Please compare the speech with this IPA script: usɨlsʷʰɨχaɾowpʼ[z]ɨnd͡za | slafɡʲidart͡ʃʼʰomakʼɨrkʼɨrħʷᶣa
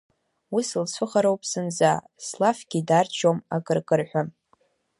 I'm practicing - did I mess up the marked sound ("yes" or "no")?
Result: yes